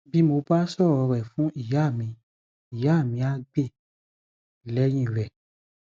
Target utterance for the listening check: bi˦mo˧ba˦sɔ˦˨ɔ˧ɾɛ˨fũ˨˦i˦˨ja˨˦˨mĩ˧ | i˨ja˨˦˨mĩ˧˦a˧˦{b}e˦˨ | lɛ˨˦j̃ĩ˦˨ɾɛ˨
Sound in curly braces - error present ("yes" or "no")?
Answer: yes